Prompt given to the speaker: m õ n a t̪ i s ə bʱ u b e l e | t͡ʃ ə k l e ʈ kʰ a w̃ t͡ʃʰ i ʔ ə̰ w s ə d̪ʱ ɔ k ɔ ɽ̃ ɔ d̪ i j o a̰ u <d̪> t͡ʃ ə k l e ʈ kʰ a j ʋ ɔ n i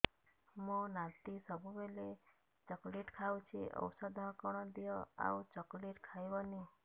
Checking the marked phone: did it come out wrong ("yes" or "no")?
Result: yes